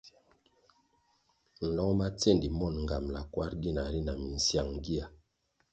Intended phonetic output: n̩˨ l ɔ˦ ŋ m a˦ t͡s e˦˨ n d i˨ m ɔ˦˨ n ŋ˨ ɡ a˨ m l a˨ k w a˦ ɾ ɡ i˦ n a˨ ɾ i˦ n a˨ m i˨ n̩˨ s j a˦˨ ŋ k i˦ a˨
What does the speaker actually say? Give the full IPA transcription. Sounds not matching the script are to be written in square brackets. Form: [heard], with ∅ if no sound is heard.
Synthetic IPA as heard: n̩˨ l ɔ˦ ŋ m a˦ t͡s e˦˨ n d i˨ m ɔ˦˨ n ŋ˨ ɡ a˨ m l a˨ k w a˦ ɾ ɡ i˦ n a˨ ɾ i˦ n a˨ m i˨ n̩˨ s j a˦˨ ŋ [ɡ] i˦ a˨